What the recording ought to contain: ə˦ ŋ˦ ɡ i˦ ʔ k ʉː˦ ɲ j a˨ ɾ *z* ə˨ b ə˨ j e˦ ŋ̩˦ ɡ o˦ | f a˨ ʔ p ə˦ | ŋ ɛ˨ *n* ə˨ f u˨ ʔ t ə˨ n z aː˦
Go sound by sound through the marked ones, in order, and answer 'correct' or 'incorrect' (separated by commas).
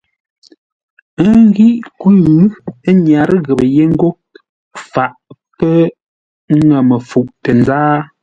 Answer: incorrect, incorrect